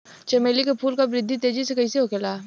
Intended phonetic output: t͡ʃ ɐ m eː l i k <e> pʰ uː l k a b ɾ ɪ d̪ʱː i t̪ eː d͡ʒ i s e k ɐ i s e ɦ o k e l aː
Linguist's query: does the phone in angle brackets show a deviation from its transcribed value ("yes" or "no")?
no